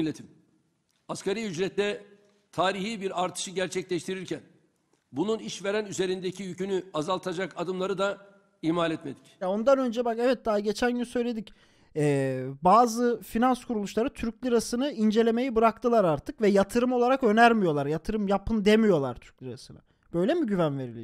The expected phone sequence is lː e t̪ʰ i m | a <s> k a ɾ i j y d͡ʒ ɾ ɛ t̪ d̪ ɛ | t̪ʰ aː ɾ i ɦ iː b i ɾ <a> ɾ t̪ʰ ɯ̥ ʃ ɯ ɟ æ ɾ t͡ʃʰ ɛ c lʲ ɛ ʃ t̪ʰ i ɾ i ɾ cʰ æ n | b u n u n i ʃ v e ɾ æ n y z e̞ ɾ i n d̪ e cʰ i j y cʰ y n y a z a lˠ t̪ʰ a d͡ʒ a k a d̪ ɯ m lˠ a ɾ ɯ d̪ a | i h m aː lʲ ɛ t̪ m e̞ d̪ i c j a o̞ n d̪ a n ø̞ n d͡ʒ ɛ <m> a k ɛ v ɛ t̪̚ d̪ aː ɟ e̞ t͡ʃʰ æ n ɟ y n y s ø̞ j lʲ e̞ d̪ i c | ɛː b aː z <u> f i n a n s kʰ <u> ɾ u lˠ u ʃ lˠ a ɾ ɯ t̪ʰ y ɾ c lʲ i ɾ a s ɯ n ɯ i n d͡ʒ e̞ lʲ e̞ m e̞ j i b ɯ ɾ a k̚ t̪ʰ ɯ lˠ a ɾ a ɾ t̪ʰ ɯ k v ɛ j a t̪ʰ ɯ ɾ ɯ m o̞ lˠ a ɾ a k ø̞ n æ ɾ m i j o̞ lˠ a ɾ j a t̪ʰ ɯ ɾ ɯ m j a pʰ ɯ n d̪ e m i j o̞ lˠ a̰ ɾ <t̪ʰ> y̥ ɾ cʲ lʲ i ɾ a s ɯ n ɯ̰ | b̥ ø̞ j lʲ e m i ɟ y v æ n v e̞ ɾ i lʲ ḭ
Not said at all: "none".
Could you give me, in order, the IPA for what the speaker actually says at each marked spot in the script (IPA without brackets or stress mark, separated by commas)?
s, a, b, ɯ, u, t̪ʰ